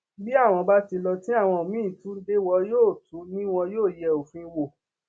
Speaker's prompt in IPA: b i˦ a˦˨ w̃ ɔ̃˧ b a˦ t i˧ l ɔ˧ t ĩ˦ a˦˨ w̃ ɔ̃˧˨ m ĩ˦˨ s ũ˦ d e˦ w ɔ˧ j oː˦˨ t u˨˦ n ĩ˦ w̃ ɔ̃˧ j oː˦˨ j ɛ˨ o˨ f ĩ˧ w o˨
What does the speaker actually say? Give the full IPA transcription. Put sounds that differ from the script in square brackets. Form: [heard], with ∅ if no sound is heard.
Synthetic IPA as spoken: b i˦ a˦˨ w̃ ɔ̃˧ b a˦ t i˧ l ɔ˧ t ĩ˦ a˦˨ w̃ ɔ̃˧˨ m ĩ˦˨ [t] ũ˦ d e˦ w ɔ˧ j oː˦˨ t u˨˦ n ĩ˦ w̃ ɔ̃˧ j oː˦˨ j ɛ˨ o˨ f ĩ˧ w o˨